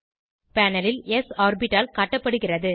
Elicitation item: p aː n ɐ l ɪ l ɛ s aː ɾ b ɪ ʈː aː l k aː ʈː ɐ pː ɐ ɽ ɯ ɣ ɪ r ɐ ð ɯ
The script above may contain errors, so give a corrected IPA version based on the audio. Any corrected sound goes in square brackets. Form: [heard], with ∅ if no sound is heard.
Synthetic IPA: p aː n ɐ l ɪ l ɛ s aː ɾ b ɪ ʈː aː l k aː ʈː ɐ pː ɐ ɽ ɯ ɣ ɪ r ɐ ð ɯ